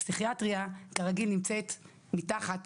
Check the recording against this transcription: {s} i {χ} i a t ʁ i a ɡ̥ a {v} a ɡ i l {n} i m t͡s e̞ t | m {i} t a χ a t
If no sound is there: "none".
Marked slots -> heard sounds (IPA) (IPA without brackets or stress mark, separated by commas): s, χ, ʁ, n, i